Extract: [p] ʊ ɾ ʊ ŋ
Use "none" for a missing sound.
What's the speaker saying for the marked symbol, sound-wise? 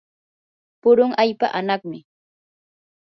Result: p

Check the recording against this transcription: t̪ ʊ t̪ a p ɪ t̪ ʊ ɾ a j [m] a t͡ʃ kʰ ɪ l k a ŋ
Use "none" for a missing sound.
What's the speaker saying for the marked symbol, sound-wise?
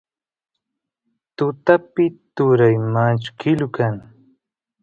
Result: m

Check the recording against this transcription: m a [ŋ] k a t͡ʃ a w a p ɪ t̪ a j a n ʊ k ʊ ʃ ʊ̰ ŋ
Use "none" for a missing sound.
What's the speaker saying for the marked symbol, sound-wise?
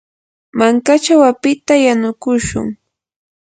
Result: ŋ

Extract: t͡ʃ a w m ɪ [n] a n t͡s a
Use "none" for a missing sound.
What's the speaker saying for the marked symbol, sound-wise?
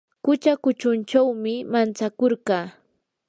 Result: m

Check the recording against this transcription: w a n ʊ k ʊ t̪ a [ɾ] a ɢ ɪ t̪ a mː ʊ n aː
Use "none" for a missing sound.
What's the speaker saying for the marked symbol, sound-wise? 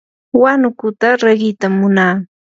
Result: ɾ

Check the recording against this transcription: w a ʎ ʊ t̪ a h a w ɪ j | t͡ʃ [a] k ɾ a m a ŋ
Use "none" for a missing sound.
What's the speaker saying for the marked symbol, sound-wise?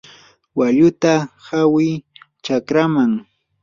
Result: a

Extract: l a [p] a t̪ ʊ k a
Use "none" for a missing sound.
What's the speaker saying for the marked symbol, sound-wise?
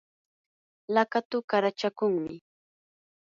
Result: k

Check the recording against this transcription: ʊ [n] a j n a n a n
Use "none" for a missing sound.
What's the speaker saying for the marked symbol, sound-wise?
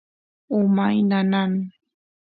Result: m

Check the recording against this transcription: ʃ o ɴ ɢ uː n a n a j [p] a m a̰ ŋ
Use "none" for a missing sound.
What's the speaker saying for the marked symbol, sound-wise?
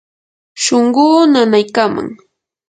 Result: k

